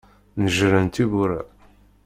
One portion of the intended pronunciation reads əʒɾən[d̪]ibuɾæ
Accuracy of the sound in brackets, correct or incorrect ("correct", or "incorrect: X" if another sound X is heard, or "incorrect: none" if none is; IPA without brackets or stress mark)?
incorrect: t̪